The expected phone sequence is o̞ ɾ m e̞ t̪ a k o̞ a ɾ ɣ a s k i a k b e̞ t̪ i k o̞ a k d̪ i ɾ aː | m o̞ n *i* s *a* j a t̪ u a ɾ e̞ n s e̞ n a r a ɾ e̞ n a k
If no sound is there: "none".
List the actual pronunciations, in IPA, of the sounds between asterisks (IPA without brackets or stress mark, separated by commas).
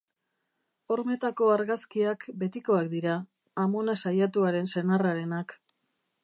a, a